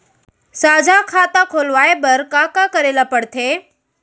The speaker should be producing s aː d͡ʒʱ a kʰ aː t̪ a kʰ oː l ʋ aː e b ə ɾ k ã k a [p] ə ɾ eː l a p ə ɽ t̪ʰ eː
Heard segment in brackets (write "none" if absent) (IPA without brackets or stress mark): k